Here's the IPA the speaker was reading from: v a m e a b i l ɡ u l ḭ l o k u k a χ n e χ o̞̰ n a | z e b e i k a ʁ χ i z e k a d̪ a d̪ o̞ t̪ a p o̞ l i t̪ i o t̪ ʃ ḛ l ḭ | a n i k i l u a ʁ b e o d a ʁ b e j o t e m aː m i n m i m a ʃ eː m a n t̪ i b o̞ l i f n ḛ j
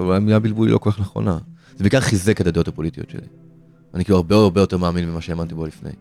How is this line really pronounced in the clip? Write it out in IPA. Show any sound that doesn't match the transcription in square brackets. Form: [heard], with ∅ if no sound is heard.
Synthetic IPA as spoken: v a m [i] a b i l [b] u l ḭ l o k [o] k a χ n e χ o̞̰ n a | z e b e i k a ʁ χ i z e k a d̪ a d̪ o̞ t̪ a p o̞ l i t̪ i o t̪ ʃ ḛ l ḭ | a n i k i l u a ʁ b e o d a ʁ b e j o t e m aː m i n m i m a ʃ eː m a n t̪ i b o̞ l i f n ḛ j